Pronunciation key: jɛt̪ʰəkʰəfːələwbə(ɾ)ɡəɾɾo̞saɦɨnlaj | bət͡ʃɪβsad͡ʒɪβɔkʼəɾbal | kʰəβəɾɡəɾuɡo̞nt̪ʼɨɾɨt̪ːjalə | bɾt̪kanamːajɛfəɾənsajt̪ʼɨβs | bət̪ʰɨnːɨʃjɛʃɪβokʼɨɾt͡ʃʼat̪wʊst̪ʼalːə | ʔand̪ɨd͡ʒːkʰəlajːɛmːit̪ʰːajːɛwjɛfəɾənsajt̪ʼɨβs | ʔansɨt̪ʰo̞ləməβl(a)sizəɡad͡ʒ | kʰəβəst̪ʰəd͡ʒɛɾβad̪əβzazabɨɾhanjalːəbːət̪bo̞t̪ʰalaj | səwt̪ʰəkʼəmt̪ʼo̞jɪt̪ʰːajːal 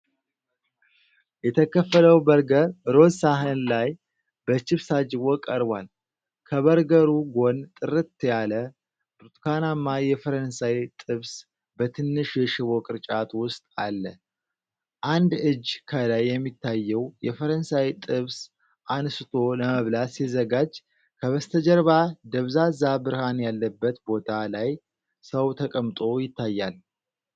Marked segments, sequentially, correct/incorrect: correct, correct

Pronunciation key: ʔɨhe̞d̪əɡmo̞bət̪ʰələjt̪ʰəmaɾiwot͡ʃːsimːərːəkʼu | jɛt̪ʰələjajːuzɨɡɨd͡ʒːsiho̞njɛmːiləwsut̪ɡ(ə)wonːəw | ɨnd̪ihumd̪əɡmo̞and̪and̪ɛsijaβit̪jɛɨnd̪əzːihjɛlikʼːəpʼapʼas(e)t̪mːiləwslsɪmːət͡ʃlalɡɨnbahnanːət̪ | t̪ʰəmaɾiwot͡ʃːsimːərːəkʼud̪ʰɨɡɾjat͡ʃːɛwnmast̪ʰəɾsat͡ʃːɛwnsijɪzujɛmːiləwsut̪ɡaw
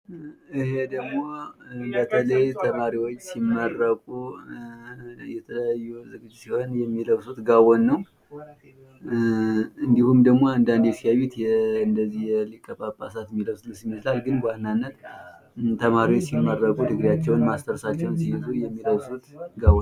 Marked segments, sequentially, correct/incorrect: incorrect: a, incorrect: a

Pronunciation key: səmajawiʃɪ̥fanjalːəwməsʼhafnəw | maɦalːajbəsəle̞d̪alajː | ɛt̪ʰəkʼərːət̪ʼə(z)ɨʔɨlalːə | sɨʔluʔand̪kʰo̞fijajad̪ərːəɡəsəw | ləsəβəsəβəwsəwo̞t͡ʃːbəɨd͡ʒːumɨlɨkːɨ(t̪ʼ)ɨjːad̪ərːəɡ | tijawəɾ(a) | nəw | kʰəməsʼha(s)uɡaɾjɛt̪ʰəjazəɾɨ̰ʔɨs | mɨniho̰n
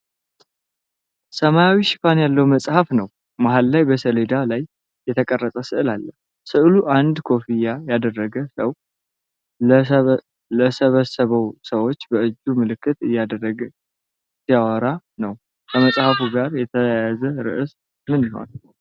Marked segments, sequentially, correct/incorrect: incorrect: s, incorrect: t̪, correct, incorrect: f

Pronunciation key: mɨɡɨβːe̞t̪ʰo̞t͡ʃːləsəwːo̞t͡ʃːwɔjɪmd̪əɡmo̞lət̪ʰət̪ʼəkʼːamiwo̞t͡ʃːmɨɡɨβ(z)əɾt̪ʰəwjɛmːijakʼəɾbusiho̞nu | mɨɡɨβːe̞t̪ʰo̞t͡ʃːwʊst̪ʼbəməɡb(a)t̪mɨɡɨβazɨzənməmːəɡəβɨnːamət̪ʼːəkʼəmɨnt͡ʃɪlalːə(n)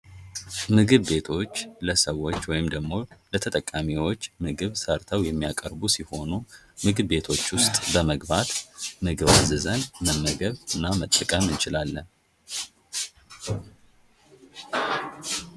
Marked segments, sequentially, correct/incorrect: incorrect: s, correct, correct

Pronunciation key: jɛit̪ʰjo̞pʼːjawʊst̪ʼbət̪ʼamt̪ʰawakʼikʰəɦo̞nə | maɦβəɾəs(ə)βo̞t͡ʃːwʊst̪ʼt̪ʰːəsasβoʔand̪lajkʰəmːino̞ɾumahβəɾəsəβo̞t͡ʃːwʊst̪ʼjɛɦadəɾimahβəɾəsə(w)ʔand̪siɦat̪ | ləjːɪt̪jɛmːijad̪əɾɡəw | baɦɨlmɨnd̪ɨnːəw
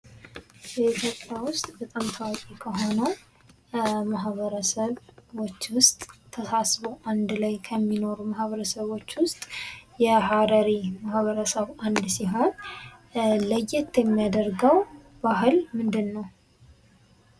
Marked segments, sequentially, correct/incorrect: correct, incorrect: β

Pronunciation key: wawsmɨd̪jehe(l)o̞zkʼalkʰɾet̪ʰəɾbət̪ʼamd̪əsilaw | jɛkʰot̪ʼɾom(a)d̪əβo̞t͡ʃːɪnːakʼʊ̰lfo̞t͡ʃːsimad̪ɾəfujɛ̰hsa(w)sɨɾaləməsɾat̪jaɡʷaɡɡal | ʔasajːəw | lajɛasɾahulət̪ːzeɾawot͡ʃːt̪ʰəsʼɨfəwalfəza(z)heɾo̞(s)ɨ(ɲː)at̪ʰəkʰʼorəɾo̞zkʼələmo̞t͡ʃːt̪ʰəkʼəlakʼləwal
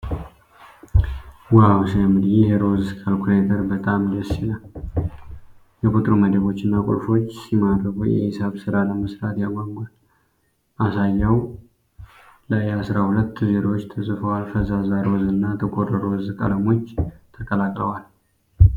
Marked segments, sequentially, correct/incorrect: incorrect: ɾ, incorrect: ə, incorrect: β, correct, incorrect: z, incorrect: nː

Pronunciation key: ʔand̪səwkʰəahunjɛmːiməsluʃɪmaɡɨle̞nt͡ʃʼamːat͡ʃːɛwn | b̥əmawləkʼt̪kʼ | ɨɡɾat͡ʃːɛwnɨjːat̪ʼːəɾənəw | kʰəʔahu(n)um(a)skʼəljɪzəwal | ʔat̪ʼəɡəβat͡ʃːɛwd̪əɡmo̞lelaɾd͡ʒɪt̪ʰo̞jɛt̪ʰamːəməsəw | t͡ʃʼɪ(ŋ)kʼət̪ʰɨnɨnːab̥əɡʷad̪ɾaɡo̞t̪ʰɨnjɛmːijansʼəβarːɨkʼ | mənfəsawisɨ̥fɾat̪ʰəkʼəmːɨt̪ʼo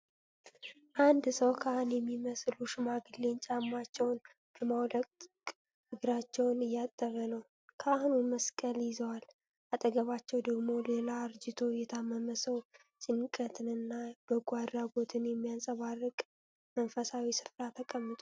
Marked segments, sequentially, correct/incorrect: correct, incorrect: ə, incorrect: n

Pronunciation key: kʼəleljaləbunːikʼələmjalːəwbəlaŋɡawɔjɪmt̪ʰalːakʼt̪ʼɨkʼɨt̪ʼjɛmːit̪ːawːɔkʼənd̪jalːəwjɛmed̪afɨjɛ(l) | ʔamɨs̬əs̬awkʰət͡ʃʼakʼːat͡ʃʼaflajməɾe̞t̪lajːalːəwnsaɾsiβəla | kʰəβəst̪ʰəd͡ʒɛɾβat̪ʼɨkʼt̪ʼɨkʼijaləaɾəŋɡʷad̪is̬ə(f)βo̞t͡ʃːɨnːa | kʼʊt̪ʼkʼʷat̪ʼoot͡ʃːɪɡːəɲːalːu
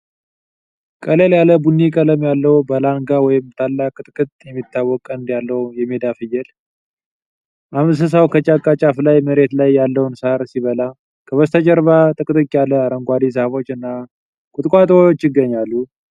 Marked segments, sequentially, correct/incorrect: correct, incorrect: h

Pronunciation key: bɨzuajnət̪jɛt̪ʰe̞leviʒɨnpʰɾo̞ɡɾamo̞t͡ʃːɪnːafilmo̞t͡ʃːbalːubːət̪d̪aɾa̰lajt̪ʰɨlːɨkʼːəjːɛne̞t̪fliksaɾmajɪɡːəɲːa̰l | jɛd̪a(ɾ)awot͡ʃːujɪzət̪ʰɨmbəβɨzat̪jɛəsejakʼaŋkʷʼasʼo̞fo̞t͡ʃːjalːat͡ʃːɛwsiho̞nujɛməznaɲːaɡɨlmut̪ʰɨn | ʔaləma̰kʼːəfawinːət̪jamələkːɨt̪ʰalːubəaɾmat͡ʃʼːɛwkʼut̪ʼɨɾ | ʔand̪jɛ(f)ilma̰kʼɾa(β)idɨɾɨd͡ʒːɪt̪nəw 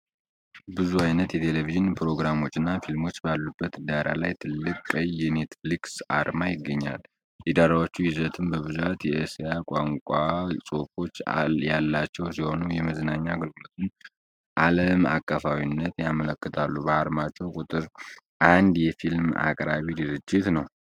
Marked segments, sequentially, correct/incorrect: correct, correct, correct

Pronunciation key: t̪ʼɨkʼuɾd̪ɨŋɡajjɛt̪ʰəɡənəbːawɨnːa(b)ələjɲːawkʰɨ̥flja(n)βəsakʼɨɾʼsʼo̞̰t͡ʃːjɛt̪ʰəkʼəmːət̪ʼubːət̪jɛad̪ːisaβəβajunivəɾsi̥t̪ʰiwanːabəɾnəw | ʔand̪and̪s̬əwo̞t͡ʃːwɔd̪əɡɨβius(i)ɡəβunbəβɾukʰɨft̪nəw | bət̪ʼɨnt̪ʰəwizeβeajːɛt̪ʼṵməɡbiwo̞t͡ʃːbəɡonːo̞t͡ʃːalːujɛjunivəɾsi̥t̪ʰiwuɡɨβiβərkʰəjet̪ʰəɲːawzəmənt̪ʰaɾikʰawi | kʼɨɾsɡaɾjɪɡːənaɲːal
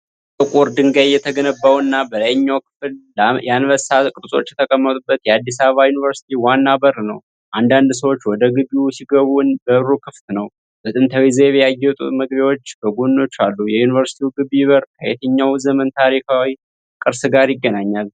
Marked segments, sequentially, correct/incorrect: correct, correct, correct

